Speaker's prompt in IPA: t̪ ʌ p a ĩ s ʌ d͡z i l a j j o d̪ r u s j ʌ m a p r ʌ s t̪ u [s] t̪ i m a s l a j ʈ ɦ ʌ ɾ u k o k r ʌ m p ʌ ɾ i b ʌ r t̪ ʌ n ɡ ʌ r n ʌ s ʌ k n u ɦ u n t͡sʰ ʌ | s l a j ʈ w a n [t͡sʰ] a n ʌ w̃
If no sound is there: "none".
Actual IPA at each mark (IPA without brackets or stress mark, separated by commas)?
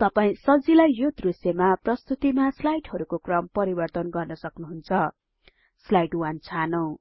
none, t͡sʰ